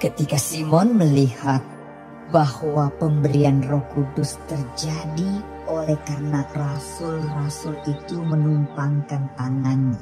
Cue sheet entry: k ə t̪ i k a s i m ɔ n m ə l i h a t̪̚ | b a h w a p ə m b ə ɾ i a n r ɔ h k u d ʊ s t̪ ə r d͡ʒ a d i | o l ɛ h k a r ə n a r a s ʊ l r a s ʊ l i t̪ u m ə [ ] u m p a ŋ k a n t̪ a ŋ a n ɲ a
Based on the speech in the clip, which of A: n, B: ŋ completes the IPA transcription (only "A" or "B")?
A